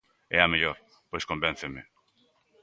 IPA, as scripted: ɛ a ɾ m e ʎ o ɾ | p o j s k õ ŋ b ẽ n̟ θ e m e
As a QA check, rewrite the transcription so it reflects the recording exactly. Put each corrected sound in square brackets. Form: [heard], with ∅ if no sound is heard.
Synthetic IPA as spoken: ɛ a [∅] m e ʎ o ɾ | p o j s k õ [m] b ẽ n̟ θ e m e